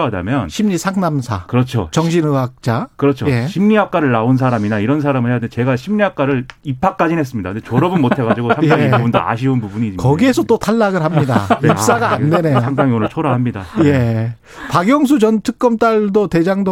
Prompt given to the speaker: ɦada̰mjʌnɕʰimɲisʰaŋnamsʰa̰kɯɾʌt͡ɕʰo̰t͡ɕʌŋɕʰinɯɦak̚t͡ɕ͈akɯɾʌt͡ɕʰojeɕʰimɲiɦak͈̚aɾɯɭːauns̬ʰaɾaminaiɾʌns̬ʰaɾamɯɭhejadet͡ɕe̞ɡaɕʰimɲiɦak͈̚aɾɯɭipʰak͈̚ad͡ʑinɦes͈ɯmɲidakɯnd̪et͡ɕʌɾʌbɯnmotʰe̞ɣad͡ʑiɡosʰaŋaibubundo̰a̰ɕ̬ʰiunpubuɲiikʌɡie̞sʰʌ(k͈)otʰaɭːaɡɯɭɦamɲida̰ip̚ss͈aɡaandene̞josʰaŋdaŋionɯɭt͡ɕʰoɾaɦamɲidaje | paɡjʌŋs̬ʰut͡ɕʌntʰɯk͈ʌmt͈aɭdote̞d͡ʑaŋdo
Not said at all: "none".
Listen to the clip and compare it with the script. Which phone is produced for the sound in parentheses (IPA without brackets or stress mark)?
t͈